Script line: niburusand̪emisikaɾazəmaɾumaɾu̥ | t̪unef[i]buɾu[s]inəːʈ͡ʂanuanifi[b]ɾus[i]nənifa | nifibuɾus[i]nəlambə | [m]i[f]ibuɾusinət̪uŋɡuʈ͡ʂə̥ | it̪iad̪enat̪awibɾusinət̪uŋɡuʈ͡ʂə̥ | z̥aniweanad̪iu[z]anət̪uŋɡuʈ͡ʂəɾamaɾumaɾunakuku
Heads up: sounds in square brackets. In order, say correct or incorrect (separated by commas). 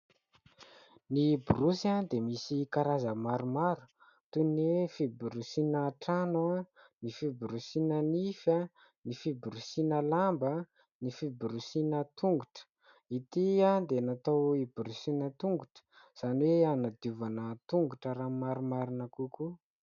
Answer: correct, correct, correct, correct, correct, incorrect, correct, incorrect